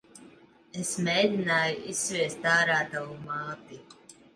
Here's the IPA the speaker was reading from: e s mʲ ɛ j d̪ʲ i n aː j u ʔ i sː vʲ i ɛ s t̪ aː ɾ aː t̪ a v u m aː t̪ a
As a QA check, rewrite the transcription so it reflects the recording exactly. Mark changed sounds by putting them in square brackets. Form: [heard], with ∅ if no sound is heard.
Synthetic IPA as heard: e s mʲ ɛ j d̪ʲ i n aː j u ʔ i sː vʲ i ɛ s t̪ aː ɾ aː t̪ a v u m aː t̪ [i]